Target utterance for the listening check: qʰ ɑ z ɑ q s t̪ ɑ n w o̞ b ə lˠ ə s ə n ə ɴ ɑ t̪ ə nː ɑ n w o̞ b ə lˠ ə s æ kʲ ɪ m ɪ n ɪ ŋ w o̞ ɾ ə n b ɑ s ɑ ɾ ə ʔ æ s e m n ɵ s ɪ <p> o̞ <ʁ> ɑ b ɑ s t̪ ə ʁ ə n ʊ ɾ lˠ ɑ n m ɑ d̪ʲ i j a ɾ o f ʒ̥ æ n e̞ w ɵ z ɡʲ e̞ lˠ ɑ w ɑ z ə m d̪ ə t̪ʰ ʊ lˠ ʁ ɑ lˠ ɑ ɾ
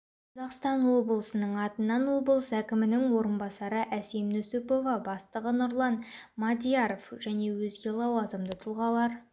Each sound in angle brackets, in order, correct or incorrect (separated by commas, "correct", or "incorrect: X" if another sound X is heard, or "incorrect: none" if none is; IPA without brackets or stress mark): correct, incorrect: v